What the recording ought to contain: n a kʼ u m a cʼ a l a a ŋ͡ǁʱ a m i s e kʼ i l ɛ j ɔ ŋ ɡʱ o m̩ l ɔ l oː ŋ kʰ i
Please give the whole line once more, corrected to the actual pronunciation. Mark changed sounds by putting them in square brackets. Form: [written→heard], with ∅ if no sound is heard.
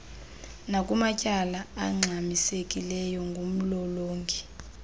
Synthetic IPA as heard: n a kʼ u m a cʼ a l a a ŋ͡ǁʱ a m i s e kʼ i l ɛ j ɔ ŋ ɡʱ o m̩ l ɔ l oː ŋ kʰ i